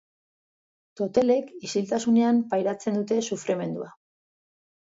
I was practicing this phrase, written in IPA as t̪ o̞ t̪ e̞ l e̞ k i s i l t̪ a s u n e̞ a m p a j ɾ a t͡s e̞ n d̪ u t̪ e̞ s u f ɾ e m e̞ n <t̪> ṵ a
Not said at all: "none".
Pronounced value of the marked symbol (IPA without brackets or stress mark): d̪